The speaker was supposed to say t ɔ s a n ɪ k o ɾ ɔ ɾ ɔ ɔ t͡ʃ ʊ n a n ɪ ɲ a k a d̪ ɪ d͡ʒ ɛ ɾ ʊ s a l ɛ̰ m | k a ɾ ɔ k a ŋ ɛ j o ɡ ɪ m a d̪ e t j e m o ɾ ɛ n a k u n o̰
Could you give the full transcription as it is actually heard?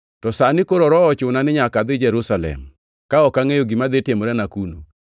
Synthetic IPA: t ɔ s a n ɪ k o ɾ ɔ ɾ ɔ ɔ t͡ʃ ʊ n a n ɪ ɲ a k a d̪ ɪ d͡ʒ ɛ ɾ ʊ s a l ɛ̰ m | k a ɔ k a ŋ e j o ɡ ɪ m a d̪ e t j e m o ɾ ɛ n a k u n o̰